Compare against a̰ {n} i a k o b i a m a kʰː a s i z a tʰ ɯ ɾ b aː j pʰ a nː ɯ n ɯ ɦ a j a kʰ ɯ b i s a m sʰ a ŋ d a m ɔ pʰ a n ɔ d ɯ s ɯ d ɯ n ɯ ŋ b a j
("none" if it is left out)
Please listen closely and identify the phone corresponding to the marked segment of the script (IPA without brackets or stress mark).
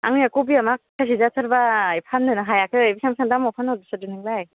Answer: ŋ